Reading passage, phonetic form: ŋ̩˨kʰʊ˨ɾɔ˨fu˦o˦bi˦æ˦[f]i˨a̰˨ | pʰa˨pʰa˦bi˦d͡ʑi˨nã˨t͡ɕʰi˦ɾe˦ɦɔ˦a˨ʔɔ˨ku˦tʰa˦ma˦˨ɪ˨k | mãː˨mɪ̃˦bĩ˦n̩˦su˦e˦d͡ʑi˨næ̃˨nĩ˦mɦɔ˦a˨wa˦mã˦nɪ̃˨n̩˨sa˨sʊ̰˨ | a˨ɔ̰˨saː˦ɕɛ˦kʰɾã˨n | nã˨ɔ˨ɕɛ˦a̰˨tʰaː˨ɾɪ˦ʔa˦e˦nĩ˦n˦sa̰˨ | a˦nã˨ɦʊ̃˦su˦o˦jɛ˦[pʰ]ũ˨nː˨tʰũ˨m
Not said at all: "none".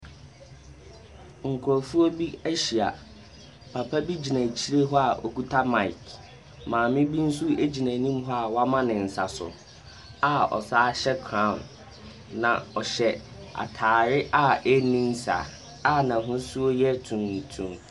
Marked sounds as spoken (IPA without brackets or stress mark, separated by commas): ɕ, tʰ